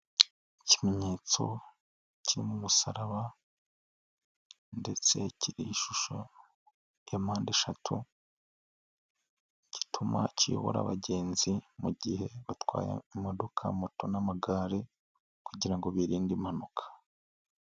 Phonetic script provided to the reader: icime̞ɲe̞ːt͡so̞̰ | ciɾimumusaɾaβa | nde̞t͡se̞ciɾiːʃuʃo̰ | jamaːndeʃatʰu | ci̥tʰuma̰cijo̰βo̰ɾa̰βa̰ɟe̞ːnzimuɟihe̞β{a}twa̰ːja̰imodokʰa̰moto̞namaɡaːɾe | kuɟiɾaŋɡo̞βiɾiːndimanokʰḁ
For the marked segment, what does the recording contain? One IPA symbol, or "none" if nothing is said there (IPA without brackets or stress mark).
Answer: a